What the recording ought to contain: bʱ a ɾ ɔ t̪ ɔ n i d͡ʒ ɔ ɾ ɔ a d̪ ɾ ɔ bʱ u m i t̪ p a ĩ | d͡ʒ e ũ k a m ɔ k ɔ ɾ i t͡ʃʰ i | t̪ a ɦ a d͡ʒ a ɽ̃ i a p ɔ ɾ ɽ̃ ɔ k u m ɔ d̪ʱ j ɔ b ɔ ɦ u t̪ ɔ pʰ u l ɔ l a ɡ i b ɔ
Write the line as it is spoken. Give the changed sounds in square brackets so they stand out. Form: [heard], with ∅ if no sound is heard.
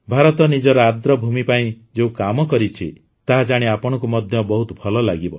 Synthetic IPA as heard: bʱ a ɾ ɔ t̪ ɔ n i d͡ʒ ɔ ɾ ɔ a d̪ ɾ ɔ bʱ u m i [∅] p a ĩ | d͡ʒ e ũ k a m ɔ k ɔ ɾ i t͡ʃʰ i | t̪ a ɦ a d͡ʒ a ɽ̃ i a p ɔ [∅] ɽ̃ ɔ k u m ɔ d̪ʱ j ɔ b ɔ ɦ u t̪ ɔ pʰ [ɔ] l ɔ l a ɡ i b ɔ